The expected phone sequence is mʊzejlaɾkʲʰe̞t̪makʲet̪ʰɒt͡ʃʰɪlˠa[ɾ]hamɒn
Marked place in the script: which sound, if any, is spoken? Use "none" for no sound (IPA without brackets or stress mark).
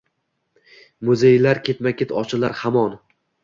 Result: ɾ